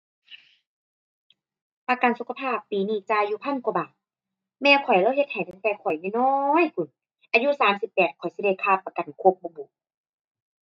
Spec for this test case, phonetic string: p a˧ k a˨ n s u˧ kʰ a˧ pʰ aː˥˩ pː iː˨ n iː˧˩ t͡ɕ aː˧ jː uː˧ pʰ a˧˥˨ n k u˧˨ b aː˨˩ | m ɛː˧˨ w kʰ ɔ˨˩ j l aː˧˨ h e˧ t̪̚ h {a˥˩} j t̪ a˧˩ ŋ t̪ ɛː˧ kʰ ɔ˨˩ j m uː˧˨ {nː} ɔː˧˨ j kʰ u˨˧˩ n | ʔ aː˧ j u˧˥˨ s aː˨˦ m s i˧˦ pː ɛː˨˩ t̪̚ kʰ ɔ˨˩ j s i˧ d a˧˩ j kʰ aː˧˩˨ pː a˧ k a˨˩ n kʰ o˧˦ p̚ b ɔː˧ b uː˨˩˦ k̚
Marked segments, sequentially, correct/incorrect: incorrect, incorrect

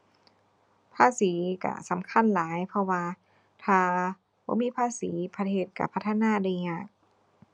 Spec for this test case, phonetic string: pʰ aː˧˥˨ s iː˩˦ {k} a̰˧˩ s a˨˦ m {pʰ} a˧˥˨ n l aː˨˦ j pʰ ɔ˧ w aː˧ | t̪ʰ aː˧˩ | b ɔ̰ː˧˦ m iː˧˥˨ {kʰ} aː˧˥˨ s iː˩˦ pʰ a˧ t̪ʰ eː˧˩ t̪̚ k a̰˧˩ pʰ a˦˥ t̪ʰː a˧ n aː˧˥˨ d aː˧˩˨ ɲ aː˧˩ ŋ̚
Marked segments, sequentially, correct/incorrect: correct, incorrect, incorrect

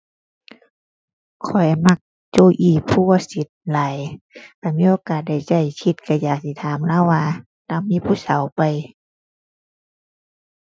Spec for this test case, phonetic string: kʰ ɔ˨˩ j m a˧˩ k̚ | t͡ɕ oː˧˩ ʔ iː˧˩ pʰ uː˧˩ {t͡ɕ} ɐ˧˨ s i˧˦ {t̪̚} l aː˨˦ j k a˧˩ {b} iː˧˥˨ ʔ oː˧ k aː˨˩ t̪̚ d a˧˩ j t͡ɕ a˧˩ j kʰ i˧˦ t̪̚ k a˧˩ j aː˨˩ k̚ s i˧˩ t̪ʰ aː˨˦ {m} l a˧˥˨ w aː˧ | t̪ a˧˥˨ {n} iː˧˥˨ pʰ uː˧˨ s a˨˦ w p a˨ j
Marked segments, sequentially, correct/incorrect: incorrect, correct, incorrect, correct, incorrect

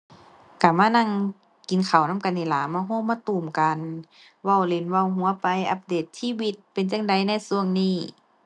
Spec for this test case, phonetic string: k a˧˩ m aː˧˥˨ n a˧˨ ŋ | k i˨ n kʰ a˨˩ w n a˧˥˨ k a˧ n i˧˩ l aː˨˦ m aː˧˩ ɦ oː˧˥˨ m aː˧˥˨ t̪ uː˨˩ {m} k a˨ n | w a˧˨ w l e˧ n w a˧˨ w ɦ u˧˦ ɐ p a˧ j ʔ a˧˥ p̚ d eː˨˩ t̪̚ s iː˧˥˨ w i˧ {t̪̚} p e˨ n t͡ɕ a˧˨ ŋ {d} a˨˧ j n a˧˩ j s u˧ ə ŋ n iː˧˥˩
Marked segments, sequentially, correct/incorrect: correct, correct, correct

